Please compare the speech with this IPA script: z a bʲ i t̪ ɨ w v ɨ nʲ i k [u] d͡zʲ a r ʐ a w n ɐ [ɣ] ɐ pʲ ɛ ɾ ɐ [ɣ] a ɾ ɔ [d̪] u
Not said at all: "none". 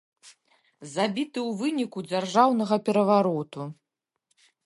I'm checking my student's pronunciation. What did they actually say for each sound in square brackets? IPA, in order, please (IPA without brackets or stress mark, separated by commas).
u, ɣ, v, t̪